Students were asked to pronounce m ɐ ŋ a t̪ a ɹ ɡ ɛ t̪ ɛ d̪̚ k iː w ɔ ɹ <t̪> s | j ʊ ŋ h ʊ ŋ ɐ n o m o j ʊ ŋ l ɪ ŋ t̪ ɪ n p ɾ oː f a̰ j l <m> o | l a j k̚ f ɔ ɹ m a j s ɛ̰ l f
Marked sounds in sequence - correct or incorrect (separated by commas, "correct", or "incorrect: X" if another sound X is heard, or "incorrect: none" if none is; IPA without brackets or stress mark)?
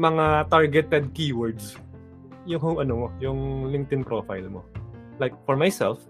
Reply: incorrect: d̪, correct